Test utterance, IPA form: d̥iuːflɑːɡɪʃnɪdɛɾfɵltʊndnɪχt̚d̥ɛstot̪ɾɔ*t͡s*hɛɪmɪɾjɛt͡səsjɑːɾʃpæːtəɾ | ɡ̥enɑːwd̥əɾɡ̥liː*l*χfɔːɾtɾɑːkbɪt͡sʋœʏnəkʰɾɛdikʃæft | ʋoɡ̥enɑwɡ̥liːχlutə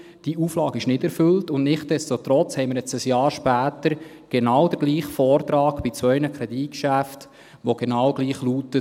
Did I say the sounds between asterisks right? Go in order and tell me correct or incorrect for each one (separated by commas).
correct, incorrect